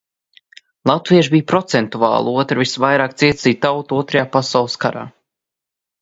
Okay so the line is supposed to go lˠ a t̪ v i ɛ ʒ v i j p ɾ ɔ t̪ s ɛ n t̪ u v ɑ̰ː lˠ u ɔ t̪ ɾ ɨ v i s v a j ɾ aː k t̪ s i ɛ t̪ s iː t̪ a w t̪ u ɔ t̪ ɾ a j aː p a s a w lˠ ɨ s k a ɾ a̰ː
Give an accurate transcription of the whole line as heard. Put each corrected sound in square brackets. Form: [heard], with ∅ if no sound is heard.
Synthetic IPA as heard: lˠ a t̪ v i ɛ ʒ [b] i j p ɾ ɔ t̪ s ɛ n t̪ u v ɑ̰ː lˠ u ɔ t̪ ɾ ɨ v i s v a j ɾ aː k t̪ s i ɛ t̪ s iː t̪ a w t̪ u ɔ t̪ ɾ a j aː p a s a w lˠ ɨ s k a ɾ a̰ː